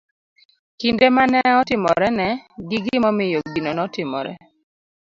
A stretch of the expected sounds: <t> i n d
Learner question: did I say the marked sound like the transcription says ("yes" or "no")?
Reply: no